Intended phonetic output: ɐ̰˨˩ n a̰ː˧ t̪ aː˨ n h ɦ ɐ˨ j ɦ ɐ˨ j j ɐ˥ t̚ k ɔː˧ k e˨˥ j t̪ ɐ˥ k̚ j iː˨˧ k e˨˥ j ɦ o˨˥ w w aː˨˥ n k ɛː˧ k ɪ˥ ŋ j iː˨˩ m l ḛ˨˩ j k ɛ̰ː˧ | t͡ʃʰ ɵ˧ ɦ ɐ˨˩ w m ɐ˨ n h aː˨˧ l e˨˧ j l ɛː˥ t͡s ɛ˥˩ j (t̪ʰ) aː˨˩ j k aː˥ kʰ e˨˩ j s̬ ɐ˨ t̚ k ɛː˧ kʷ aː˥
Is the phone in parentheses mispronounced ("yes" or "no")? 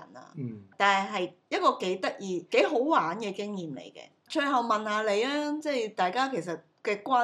yes